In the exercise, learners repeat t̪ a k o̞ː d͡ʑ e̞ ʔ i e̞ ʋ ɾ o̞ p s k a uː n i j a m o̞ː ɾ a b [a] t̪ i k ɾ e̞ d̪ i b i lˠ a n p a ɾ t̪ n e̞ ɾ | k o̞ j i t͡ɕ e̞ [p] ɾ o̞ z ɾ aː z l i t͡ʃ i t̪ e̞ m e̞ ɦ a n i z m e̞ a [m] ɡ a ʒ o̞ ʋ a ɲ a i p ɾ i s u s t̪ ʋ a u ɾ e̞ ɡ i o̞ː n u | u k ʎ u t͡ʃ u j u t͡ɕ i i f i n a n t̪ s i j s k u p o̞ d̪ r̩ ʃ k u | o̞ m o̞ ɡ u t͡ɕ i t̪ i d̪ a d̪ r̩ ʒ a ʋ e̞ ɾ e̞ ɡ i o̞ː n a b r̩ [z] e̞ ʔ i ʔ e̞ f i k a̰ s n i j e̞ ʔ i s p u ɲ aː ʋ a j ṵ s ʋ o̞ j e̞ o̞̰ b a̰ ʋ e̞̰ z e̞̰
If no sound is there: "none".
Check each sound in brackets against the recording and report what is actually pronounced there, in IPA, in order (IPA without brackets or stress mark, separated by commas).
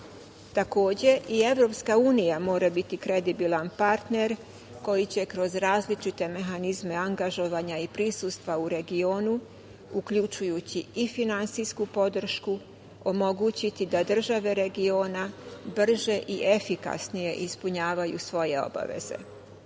i, k, ŋ, ʒ